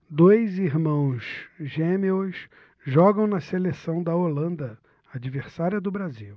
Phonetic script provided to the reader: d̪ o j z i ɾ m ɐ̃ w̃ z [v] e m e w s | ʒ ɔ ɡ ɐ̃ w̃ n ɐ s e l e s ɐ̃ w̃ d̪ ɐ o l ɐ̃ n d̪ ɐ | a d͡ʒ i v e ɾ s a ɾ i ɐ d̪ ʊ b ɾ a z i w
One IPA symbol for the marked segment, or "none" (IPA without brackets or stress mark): ʒ